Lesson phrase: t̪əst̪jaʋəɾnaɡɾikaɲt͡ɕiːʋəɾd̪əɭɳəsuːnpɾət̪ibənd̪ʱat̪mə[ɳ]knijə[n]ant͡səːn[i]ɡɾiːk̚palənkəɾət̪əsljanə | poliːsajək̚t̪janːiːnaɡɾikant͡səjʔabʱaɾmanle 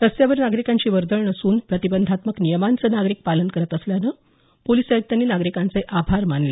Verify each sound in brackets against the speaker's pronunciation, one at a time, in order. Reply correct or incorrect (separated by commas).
incorrect, incorrect, incorrect